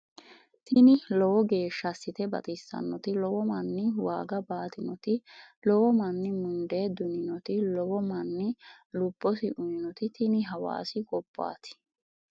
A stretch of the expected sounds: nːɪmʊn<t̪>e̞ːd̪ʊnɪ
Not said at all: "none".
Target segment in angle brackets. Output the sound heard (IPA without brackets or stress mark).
d̪